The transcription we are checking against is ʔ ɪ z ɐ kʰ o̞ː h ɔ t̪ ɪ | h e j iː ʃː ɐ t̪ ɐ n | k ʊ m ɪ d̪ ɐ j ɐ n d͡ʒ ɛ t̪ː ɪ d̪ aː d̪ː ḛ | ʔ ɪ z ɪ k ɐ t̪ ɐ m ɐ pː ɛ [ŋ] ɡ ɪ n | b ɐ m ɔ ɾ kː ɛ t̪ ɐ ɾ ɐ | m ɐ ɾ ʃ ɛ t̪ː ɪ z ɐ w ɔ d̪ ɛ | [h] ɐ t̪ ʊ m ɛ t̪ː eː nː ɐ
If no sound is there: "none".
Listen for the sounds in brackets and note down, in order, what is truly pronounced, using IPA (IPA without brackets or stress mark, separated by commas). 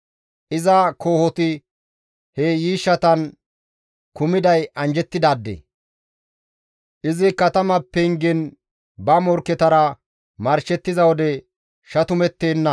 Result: ŋ, ʃ